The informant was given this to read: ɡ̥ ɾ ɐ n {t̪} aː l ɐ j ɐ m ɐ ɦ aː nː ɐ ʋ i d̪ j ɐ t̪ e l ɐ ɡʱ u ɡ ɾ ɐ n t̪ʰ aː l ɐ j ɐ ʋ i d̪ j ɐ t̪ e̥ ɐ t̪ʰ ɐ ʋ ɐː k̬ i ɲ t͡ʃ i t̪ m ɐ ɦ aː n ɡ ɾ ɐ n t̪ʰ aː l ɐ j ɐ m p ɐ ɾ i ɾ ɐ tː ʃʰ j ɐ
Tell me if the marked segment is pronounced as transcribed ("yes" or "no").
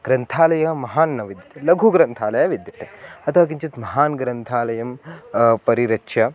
no